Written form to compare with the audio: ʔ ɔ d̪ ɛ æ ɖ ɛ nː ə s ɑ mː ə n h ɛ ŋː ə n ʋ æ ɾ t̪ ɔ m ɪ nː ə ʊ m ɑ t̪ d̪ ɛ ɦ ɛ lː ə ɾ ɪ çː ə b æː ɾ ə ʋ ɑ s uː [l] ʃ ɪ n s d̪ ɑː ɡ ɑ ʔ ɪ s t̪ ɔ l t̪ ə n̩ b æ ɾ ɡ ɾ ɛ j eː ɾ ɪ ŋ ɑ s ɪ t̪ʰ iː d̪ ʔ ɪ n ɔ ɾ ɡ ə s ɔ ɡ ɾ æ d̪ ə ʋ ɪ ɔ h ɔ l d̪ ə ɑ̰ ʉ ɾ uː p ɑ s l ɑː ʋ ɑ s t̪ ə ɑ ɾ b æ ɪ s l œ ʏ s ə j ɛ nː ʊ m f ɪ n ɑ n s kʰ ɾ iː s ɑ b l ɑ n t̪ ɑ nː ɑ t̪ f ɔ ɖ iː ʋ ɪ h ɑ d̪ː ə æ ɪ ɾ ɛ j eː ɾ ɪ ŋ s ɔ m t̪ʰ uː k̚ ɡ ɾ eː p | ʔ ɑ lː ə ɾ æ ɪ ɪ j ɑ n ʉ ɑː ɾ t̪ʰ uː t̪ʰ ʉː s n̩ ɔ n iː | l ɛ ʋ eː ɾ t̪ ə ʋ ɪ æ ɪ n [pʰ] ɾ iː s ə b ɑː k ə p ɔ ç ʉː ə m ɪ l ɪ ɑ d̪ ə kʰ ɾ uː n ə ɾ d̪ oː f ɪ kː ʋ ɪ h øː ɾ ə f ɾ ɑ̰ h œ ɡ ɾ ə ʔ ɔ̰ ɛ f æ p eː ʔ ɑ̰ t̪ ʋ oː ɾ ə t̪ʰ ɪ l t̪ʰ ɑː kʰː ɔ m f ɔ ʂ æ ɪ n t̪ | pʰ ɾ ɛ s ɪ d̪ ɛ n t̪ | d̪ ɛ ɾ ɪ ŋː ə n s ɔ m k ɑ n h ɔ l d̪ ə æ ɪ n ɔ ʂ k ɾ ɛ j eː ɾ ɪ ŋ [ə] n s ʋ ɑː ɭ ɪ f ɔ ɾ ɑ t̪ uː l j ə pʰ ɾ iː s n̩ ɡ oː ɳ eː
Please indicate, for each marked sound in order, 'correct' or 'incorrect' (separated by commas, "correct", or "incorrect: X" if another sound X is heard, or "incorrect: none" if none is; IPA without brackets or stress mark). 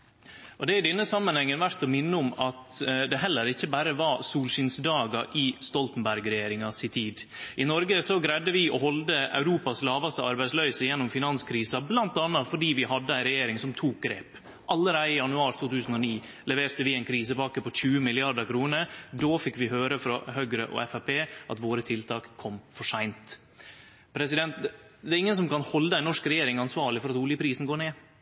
correct, incorrect: kʰ, incorrect: ɑ